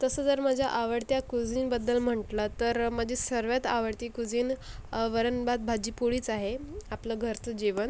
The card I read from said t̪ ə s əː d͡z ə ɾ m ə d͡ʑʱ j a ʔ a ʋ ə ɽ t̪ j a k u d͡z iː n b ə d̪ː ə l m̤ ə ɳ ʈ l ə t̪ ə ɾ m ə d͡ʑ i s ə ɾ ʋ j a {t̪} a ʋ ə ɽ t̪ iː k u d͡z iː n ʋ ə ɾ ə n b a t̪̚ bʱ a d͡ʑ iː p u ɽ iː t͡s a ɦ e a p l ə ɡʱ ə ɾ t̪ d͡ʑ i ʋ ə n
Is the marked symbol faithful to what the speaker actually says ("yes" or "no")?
yes